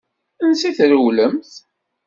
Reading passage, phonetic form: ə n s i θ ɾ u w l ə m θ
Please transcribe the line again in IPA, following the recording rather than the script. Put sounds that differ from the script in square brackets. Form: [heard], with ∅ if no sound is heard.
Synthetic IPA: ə n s i θ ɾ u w l ə m θ